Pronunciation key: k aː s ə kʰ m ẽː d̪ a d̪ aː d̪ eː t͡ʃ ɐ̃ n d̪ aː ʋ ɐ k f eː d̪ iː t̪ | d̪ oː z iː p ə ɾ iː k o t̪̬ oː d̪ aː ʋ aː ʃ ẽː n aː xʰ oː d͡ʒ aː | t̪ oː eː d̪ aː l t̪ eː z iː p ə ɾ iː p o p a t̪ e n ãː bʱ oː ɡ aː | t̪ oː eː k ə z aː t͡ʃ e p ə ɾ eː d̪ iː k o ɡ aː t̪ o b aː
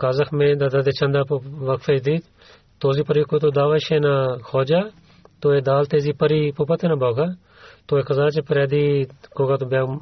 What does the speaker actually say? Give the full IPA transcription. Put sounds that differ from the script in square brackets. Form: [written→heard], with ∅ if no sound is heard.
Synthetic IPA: k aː [s→z] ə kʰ m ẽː d̪ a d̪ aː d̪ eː t͡ʃ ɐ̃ n d̪ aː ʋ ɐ k f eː d̪ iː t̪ | [d̪→t̪] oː z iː p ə ɾ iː k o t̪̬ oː d̪ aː ʋ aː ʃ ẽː n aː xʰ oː d͡ʒ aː | t̪ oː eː d̪ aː l t̪ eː z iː p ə ɾ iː p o p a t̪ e n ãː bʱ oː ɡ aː | t̪ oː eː k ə z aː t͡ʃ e p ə ɾ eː d̪ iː k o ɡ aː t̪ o b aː